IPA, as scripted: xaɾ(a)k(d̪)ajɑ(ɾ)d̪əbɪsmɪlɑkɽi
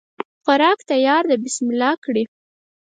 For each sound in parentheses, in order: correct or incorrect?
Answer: incorrect, incorrect, correct

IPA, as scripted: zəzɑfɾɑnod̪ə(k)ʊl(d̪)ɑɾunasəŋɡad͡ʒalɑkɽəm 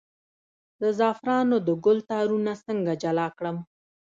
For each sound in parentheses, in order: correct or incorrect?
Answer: incorrect, incorrect

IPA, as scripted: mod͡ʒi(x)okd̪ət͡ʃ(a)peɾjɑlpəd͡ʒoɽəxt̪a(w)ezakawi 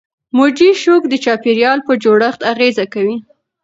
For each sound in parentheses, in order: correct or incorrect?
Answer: incorrect, incorrect, incorrect

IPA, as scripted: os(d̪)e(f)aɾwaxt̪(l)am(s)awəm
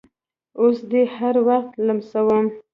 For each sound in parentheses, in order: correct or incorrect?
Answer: correct, incorrect, correct, correct

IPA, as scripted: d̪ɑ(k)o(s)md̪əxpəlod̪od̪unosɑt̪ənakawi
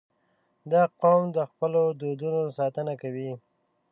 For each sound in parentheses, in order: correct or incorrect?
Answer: incorrect, incorrect

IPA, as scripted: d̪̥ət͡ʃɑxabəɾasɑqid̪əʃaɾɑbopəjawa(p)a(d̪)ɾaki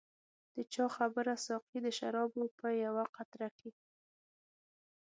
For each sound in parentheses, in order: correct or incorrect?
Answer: incorrect, incorrect

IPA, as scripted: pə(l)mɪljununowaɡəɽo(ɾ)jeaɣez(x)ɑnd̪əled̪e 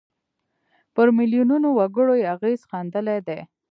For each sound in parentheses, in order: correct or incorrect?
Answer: incorrect, incorrect, correct

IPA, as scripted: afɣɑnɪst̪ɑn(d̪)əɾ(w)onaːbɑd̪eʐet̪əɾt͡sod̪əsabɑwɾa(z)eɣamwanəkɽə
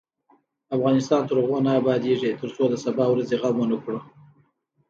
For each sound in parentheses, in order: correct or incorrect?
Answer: incorrect, incorrect, correct

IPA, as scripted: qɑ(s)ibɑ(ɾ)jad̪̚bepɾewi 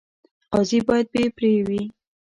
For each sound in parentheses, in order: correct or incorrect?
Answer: incorrect, incorrect

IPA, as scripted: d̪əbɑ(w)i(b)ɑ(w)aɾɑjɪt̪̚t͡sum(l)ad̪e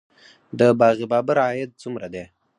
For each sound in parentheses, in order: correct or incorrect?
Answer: incorrect, correct, incorrect, incorrect

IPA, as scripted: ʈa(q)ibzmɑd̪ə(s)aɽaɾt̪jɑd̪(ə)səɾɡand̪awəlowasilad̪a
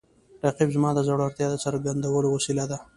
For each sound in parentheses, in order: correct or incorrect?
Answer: correct, incorrect, correct

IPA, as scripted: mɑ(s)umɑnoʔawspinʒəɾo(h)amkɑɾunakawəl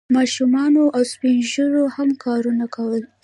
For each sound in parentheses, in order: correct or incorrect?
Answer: incorrect, correct

